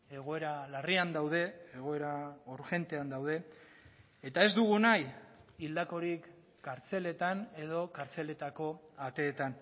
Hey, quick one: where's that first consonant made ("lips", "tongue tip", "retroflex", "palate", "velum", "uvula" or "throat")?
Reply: velum